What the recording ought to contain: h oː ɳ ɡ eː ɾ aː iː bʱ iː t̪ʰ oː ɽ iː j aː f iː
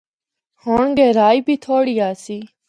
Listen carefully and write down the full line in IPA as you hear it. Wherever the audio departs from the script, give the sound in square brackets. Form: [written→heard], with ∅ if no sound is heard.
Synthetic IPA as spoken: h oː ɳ ɡ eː ɾ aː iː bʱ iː t̪ʰ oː ɽ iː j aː [f→s] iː